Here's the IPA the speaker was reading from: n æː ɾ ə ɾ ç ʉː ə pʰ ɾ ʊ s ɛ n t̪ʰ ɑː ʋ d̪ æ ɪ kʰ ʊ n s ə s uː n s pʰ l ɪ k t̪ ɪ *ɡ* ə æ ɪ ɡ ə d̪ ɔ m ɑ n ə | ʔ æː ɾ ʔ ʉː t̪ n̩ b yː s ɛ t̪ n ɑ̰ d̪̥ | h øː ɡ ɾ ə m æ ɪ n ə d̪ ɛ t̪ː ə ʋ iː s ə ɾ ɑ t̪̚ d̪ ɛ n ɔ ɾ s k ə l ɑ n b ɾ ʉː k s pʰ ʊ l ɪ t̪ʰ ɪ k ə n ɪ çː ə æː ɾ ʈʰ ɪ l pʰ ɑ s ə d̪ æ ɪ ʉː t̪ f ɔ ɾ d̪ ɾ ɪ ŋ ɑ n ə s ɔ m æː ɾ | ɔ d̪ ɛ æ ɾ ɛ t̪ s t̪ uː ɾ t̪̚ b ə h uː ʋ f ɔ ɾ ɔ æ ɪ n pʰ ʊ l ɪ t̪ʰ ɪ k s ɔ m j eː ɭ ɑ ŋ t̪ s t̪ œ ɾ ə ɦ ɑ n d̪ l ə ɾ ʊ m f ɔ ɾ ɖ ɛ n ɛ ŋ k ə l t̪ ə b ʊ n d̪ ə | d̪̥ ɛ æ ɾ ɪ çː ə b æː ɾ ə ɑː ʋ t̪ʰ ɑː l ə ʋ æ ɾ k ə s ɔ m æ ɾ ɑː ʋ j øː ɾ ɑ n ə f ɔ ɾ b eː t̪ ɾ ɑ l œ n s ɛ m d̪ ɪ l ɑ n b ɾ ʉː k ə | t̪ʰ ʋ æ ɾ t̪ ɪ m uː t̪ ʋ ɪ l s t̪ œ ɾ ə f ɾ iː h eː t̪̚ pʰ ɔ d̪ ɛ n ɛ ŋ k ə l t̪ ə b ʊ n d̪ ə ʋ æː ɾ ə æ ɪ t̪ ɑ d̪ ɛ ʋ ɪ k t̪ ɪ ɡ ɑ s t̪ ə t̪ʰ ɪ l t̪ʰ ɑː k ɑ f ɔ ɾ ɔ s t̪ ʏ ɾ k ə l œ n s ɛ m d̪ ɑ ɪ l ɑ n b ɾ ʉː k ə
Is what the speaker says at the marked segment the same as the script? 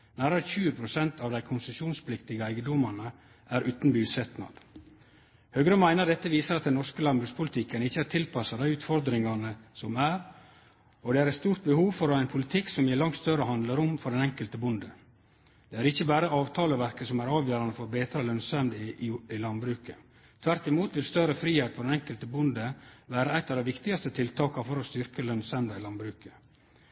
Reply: yes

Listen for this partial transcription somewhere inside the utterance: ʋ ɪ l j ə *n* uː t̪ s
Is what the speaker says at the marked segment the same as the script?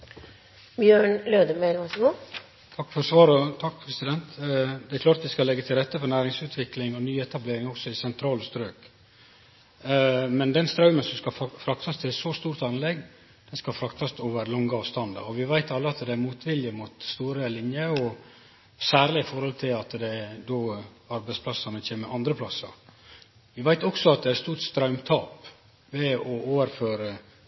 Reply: no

